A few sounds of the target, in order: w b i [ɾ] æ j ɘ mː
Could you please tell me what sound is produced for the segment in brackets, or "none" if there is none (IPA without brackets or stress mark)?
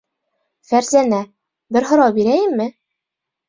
ɾ